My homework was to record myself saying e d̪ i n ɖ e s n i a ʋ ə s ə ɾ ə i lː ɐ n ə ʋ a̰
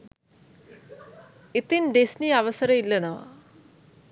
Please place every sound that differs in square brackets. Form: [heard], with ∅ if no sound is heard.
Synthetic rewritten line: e [t̪] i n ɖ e s n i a ʋ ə s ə ɾ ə i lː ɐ n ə ʋ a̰